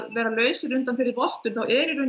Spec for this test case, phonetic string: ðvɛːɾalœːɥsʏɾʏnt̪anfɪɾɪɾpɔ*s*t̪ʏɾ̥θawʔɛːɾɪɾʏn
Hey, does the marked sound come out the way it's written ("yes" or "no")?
no